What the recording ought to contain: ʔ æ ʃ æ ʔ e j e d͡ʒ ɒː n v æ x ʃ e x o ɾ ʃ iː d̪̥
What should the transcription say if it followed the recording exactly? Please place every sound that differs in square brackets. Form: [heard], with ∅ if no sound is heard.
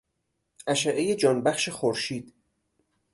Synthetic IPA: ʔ æ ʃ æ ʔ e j e d͡ʒ ɒː n [b] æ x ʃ e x o ɾ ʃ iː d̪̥